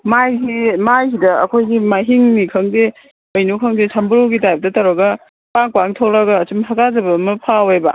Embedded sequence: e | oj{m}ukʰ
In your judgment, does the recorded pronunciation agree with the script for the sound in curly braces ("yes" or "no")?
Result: no